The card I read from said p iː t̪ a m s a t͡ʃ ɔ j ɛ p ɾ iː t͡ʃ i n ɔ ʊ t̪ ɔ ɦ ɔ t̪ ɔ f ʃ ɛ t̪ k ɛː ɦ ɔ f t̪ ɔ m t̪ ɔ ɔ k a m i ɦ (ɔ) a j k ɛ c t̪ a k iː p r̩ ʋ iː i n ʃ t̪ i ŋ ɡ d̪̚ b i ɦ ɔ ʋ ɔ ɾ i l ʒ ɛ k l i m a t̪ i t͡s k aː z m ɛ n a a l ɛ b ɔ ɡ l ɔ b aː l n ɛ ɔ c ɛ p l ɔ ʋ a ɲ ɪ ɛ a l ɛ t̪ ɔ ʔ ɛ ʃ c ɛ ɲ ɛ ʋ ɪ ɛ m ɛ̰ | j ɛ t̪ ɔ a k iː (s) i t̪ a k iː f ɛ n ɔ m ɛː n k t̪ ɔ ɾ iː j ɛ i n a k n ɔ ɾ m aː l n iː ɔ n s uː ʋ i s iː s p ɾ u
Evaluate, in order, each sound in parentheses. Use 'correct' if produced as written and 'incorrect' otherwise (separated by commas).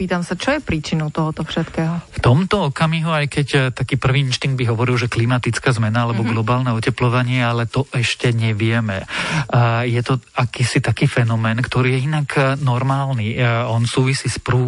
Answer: incorrect, correct